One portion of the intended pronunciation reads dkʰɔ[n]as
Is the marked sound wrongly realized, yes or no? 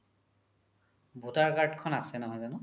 no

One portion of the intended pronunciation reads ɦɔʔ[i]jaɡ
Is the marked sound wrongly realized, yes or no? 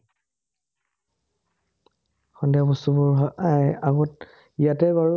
yes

